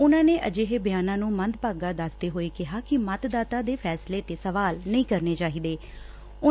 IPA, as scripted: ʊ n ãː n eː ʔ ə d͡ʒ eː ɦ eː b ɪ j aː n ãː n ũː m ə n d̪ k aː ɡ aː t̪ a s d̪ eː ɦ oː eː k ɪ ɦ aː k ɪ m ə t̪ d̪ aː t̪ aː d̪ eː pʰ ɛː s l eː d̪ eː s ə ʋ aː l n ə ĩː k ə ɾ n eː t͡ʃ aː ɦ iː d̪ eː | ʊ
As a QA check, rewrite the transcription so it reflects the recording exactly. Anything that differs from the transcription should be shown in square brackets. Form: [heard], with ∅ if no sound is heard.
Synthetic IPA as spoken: ʊ n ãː n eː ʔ ə d͡ʒ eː ɦ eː b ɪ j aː n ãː n ũː m ə n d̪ [p] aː ɡ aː [d̪] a s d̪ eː ɦ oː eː k ɪ ɦ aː k ɪ m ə t̪ d̪ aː t̪ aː d̪ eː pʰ ɛː s l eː [t̪] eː s ə ʋ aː l n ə ĩː k ə ɾ n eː t͡ʃ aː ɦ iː d̪ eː | ʊ